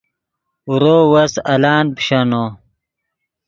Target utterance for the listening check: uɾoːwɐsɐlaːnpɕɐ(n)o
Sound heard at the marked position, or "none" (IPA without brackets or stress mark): n